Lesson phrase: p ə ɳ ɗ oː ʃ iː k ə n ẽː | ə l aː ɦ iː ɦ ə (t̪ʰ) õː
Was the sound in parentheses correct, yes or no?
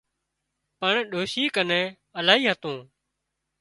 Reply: no